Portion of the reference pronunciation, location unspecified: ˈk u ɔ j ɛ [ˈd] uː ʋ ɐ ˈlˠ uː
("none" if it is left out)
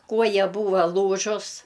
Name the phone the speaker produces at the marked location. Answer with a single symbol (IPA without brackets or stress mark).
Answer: b